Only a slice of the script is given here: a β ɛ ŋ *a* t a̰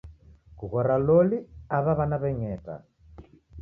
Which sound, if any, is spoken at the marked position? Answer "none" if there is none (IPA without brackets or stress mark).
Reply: ɛ